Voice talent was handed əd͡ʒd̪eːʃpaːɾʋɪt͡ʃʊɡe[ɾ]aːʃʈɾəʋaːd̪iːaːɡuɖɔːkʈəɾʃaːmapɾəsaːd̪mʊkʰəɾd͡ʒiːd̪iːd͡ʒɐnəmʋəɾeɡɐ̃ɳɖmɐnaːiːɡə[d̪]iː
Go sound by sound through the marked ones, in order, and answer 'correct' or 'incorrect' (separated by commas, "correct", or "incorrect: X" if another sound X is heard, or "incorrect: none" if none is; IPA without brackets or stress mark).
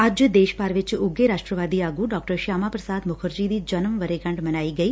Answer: correct, incorrect: none